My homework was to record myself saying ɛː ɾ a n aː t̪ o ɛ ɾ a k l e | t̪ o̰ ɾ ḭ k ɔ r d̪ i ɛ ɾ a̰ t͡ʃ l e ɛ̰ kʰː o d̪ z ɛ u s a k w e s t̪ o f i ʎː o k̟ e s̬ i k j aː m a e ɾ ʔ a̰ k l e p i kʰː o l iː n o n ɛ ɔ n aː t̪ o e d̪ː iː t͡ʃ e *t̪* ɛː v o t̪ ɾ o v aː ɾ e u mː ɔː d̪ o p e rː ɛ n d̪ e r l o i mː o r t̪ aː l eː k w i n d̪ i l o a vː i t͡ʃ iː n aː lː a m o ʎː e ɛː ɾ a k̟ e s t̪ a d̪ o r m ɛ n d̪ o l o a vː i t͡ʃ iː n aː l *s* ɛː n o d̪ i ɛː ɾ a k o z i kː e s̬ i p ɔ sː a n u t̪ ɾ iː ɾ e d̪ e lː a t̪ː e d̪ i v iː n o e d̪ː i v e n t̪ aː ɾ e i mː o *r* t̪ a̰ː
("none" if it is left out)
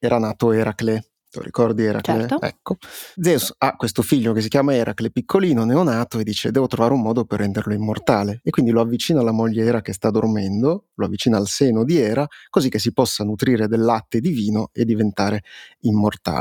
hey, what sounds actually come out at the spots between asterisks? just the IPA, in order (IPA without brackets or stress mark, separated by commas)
d̪, s, r